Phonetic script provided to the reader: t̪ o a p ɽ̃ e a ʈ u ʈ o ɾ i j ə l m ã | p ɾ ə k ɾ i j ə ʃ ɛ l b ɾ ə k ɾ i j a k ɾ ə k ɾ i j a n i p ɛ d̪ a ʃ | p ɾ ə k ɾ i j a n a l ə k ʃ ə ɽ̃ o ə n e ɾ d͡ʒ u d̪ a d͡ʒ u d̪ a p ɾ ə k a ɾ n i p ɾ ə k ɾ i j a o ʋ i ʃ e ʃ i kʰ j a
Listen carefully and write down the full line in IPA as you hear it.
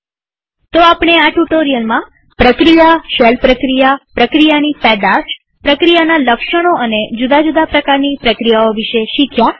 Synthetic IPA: t̪ o a p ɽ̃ e a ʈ u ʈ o ɾ i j ə l m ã | p ɾ ə k ɾ i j a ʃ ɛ l p ɾ ə k ɾ i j a p ɾ ə k ɾ i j a n i p ɛ d̪ a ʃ | p ɾ ə k ɾ i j a n a l ə k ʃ ə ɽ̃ o ə n e d͡ʒ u d̪ a d͡ʒ u d̪ a p ɾ ə k a ɾ n i p ɾ ə k ɾ i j a o ʋ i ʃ e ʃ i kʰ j a